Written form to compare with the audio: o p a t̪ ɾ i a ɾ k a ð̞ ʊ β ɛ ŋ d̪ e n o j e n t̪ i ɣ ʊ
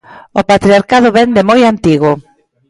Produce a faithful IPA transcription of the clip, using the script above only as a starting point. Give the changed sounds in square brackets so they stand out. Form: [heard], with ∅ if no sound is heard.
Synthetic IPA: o p a t̪ ɾ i a ɾ k a ð̞ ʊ β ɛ [n] d̪ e [m] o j [a] n t̪ i ɣ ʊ